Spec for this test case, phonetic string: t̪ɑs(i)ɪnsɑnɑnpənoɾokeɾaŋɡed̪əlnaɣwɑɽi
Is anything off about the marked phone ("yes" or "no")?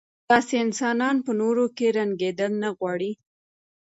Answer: yes